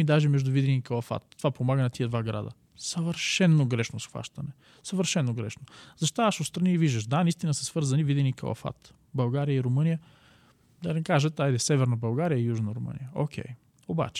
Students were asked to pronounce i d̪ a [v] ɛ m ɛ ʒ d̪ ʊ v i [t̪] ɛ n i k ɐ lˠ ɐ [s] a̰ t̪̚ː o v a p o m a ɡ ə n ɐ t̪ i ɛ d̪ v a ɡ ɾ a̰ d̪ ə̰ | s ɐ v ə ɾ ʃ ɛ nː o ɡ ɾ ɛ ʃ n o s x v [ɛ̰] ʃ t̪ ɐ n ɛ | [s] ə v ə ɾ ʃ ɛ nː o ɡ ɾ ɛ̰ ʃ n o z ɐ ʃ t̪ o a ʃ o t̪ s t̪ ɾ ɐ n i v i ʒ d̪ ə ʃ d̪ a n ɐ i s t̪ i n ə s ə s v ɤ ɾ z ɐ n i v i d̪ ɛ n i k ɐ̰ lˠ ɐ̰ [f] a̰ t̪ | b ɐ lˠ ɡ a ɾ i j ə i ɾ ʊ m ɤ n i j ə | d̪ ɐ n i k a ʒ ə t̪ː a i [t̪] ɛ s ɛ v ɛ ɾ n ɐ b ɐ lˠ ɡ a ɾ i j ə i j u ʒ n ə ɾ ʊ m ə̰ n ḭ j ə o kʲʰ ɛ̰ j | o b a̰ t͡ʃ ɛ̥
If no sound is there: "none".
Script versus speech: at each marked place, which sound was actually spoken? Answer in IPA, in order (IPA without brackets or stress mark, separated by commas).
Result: ʒ, d̪, f, a̰, s, f, d̪